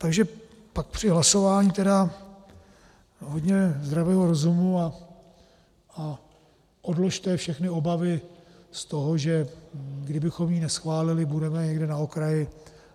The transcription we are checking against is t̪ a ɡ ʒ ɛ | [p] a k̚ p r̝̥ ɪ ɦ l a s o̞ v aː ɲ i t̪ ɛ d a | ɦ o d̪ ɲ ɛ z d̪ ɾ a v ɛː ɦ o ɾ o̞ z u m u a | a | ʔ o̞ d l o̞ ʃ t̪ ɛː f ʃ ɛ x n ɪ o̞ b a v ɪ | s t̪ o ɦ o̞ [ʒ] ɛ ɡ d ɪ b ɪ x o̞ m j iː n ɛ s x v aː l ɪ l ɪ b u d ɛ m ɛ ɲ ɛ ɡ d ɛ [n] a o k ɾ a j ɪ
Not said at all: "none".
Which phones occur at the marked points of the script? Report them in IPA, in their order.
p, ʒ, n

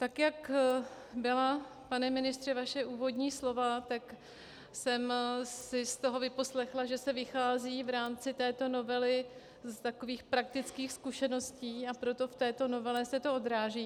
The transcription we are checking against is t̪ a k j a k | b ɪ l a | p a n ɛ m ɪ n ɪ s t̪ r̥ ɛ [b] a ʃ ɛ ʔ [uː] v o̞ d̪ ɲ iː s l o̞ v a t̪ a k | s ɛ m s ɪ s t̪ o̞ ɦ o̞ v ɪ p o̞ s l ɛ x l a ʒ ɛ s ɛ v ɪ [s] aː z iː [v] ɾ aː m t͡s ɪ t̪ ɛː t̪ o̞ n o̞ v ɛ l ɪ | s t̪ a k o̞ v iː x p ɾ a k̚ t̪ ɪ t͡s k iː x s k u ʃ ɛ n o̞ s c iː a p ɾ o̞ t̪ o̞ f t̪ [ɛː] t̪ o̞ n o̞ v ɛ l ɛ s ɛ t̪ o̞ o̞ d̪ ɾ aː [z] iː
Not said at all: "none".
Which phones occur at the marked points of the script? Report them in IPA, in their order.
v, uː, x, v, ɛː, ʒ

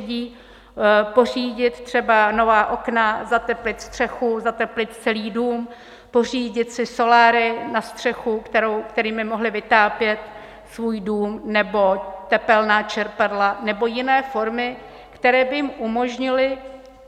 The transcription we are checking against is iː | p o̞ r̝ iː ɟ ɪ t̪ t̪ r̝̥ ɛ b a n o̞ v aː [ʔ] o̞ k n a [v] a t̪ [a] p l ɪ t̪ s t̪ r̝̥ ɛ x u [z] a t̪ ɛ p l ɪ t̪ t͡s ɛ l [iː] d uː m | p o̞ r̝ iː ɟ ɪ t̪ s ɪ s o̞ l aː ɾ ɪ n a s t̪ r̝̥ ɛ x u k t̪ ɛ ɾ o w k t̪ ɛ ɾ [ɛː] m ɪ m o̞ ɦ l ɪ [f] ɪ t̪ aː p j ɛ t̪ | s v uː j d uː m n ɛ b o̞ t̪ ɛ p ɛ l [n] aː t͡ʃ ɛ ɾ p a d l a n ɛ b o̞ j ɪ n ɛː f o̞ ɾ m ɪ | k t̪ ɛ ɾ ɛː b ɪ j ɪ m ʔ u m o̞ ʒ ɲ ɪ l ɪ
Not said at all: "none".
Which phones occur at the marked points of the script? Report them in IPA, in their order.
ʔ, z, ɛ, z, iː, iː, v, n

